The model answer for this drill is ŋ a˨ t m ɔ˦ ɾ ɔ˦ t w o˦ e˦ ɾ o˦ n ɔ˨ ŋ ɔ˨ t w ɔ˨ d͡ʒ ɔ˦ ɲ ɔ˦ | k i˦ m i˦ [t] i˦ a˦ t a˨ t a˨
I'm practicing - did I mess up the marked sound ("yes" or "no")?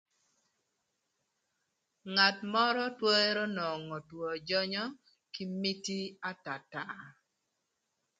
no